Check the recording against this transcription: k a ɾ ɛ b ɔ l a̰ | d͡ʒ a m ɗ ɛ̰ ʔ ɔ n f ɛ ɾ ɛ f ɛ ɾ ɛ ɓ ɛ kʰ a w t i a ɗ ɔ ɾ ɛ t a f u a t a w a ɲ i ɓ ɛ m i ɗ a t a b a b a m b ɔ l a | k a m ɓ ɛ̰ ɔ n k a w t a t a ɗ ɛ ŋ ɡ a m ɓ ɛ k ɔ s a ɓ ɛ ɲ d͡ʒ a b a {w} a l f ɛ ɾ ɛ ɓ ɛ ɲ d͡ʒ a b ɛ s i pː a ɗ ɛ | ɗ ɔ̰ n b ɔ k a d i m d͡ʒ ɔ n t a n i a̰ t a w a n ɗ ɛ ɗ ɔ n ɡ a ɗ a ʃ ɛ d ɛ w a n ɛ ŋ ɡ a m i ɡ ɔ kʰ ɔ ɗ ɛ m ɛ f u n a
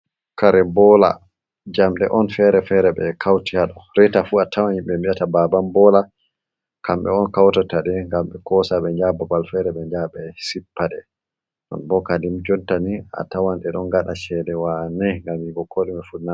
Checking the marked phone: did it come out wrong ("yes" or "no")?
yes